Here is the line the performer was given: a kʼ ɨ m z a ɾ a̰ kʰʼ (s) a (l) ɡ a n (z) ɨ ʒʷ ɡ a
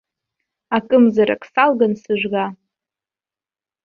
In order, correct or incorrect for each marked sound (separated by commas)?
correct, correct, incorrect